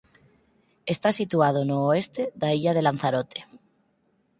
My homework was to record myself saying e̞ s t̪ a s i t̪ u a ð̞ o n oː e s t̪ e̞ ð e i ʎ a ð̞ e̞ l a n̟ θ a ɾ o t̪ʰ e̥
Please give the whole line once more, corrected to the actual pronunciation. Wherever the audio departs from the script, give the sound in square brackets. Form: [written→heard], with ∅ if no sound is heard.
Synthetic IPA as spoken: e̞ s t̪ a s i t̪ u a ð̞ o n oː e s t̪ e̞ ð [e→a] i ʎ a ð̞ e̞ l a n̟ θ a ɾ o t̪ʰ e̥